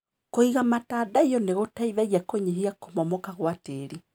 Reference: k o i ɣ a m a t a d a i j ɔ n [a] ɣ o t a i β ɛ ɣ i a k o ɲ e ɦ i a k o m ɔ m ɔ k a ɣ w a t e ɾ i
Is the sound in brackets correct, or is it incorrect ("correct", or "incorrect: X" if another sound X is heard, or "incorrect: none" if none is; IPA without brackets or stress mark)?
incorrect: e